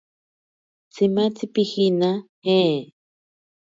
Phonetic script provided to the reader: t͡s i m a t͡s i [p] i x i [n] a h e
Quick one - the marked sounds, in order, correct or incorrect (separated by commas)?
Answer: correct, correct